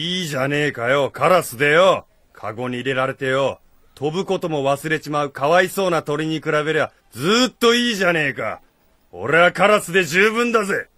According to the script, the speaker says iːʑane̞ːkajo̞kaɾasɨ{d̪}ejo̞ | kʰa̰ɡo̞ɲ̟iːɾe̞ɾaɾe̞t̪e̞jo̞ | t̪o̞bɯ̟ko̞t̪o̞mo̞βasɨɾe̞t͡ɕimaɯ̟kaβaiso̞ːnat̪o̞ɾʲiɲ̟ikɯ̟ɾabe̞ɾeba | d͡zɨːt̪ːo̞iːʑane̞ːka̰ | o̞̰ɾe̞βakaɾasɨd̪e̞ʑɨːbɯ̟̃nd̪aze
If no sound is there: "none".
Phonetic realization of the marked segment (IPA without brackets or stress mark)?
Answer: d̪